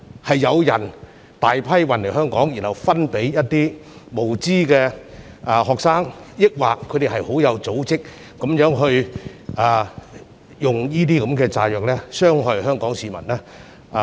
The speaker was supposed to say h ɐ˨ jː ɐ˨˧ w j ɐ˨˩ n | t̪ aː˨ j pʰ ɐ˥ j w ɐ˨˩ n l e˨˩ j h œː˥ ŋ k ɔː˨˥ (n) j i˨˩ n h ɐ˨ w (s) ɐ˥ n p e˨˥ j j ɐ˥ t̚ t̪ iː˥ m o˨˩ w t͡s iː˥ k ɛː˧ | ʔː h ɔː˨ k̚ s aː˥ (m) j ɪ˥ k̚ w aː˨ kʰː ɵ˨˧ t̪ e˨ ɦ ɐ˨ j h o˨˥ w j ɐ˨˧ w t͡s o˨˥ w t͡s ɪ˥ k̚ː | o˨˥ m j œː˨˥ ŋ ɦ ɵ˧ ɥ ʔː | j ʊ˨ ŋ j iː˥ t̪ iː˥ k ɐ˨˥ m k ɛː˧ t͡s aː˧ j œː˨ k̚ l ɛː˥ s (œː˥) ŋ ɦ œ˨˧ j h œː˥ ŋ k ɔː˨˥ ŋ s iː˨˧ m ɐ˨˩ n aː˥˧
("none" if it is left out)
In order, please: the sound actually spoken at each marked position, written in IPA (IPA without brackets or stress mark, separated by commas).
ŋ, f, ŋ, œː˥